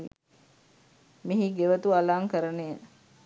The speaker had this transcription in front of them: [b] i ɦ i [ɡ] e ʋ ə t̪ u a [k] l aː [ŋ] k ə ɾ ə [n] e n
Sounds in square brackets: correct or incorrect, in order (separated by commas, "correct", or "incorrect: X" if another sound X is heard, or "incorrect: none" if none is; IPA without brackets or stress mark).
incorrect: m, correct, incorrect: none, correct, correct